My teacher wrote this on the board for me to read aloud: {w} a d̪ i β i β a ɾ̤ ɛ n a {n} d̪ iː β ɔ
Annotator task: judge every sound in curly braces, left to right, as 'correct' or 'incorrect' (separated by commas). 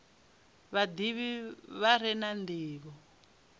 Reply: incorrect, correct